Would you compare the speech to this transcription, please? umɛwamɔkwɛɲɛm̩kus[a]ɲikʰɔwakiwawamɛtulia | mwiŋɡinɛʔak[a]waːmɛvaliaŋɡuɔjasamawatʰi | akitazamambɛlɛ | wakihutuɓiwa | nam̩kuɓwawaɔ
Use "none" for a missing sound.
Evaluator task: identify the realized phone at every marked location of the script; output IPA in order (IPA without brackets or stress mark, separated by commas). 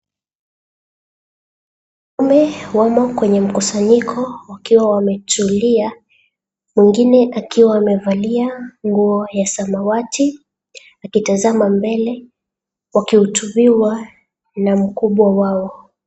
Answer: a, i